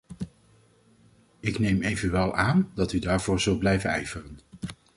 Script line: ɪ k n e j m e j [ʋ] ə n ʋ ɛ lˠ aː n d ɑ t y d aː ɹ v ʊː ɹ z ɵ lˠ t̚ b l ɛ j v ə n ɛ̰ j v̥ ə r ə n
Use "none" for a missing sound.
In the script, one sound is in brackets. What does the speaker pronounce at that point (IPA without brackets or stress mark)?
v